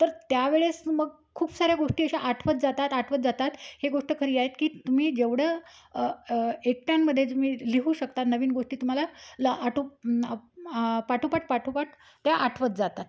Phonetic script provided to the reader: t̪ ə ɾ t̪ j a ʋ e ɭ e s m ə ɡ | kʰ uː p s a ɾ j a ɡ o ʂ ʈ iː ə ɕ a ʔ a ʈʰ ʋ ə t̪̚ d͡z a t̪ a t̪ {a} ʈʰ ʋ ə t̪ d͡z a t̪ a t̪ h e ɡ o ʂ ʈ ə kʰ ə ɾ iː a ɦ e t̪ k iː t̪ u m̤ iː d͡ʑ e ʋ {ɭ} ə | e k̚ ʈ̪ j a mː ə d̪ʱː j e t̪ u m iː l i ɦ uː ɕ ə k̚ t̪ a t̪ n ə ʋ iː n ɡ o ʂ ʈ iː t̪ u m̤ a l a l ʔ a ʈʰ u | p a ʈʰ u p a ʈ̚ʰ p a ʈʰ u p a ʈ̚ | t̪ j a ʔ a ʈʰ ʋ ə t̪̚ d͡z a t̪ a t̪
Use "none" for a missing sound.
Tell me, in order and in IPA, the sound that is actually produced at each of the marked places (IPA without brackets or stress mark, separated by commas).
a, ɽ